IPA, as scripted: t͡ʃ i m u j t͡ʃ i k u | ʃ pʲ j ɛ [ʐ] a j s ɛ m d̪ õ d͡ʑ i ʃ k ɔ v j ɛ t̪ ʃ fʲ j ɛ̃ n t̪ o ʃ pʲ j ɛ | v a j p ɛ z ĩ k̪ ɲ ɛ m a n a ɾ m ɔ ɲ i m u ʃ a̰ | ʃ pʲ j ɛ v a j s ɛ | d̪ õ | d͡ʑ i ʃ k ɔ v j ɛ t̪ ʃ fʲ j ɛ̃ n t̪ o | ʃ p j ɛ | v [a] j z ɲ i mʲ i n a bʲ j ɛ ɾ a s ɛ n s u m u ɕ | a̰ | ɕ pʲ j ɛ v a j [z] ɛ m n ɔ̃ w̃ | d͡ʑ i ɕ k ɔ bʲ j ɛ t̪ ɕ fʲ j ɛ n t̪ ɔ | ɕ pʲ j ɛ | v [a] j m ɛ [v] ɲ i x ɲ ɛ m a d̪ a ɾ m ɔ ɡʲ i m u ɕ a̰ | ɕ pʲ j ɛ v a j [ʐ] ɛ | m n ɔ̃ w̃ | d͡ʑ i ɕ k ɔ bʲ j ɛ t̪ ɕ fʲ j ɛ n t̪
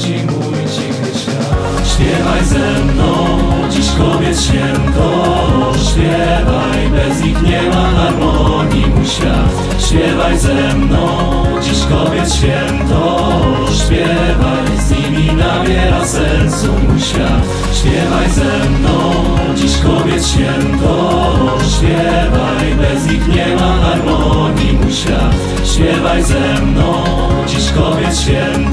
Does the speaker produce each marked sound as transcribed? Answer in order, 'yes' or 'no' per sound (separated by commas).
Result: no, yes, yes, yes, no, no